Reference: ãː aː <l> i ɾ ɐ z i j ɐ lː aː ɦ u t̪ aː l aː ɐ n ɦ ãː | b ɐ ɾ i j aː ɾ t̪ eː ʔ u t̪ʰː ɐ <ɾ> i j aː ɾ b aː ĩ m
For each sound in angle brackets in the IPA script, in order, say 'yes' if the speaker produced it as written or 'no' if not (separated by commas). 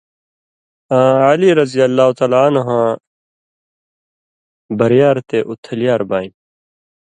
yes, no